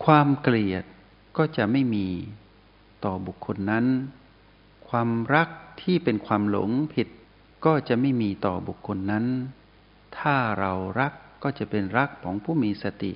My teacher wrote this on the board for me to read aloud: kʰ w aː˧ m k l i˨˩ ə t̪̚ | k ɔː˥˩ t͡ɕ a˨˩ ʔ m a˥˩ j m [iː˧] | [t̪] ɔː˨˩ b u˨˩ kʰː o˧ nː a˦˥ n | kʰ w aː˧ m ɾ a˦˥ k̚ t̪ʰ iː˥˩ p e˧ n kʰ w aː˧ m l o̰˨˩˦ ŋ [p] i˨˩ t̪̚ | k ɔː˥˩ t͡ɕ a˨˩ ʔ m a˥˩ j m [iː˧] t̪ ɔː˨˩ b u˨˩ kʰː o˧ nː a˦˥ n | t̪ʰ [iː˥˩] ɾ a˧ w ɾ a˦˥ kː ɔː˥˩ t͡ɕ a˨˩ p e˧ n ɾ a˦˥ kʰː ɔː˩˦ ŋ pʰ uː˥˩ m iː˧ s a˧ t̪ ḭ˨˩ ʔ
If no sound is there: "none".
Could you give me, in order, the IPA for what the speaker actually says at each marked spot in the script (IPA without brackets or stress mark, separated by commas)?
iː˧, t̪, pʰ, iː˧, aː˥˩